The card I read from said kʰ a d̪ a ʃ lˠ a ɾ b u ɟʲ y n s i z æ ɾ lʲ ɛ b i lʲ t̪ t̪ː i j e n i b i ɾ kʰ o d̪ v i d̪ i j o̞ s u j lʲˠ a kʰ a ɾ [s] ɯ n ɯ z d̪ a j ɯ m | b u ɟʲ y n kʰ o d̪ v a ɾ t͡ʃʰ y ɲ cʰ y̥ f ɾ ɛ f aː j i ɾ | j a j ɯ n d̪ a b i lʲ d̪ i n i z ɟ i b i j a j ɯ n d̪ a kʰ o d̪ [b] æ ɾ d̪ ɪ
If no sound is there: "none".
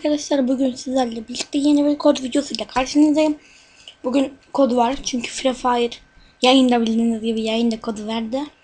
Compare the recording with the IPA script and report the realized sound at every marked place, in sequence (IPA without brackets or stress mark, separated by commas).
ʃ, v